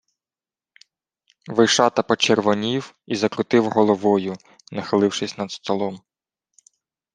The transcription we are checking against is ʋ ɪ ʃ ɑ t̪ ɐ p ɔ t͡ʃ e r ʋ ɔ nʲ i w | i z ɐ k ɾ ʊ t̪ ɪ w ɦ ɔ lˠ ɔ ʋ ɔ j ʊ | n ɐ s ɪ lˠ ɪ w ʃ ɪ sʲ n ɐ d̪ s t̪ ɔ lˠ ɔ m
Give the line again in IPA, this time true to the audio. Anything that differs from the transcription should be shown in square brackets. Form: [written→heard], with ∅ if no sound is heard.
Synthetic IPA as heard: ʋ ɪ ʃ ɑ t̪ ɐ p ɔ t͡ʃ e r ʋ ɔ nʲ i w | i z ɐ k ɾ ʊ t̪ ɪ w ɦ ɔ lˠ ɔ ʋ ɔ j ʊ | n ɐ [s→x] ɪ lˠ ɪ w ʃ ɪ sʲ n ɐ d̪ s t̪ ɔ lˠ ɔ m